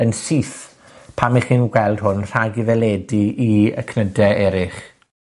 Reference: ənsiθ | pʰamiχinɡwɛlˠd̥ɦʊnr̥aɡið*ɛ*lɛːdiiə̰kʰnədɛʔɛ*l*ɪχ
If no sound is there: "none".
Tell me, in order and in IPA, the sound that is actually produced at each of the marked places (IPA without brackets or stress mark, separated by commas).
ɛ, ɾ